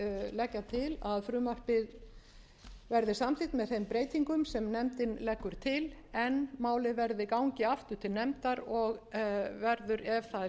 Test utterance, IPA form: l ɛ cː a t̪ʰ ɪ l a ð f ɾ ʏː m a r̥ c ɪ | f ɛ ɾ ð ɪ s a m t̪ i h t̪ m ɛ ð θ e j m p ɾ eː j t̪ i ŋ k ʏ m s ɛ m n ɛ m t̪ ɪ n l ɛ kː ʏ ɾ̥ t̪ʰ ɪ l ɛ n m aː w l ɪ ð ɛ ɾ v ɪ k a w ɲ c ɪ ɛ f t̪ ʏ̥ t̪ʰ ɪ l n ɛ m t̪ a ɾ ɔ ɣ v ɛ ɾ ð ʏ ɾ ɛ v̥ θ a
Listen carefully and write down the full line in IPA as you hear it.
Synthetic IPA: l ɛ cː a t̪ʰ ɪ l a ð f ɾ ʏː m a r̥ p ɪ | v ɛ ɾ ð ɪ s a m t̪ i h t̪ m ɛ ð θ e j m p ɾ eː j t̪ i ŋ k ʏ m s ɛ m n ɛ m t̪ ɪ n l ɛ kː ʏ ɾ̥ t̪ʰ ɪ l ɛ n m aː w l ɪ v ɛ ɾ ð ɪ k a w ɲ c ɪ a f t̪ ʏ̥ t̪ʰ ɪ l n ɛ m t̪ a ɾ ɔ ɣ v ɛ ɾ ð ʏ ɾ ɛ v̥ θ a